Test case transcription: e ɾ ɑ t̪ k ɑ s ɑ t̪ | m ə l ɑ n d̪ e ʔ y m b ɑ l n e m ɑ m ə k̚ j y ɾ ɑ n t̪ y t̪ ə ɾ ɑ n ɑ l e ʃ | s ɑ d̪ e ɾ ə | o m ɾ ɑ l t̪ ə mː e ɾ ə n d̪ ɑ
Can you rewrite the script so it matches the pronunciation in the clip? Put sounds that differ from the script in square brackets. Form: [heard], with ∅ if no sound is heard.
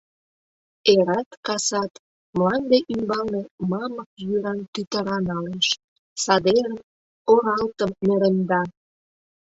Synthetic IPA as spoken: e ɾ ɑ t̪ k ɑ s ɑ t̪ | m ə l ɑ n d̪ e ʔ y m b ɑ l n e m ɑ m ə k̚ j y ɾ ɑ n t̪ y t̪ ə ɾ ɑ n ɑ l e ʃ | s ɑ d̪ e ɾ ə | o [∅] ɾ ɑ l t̪ ə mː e ɾ ə n d̪ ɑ